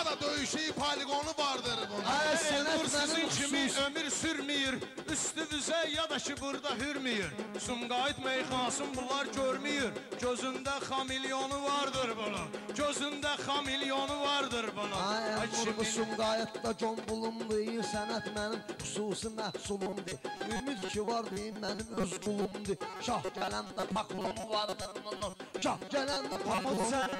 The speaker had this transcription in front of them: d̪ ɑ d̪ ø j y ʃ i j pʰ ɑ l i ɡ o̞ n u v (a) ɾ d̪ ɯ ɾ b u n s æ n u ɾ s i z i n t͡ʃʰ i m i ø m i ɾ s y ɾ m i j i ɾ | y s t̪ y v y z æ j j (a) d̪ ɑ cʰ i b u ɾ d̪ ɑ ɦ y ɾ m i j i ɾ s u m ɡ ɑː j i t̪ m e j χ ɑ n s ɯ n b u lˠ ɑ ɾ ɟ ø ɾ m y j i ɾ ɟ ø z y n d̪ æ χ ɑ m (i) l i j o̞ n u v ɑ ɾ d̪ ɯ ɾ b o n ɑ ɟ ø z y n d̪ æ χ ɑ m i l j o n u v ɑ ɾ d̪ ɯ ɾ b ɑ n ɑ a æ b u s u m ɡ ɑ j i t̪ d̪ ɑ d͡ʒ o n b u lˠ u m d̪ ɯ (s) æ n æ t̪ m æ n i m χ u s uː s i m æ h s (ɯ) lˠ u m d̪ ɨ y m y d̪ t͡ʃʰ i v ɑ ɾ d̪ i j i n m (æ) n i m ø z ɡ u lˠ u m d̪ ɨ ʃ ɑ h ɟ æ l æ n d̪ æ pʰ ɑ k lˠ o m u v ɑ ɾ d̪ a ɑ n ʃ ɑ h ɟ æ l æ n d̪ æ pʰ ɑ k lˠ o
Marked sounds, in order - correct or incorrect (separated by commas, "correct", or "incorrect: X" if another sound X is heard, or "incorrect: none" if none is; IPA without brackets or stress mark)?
incorrect: ɑ, incorrect: ɑ, correct, correct, incorrect: u, correct